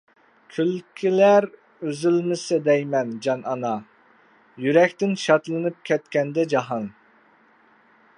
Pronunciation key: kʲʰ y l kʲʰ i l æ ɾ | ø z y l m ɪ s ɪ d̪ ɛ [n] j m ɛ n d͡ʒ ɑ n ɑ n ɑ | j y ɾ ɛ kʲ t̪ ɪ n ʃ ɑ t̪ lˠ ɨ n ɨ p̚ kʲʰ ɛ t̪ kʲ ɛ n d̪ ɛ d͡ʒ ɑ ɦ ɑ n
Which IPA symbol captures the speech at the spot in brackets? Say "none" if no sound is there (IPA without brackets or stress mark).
none